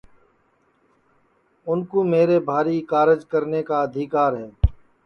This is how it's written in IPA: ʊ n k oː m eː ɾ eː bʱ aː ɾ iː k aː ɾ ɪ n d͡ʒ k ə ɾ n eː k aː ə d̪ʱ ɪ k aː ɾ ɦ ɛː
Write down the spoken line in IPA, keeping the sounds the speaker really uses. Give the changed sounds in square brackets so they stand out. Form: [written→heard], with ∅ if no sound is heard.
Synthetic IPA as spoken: ʊ n k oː m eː ɾ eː bʱ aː ɾ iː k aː ɾ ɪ [n→∅] d͡ʒ k ə ɾ n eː k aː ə d̪ʱ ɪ k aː ɾ ɦ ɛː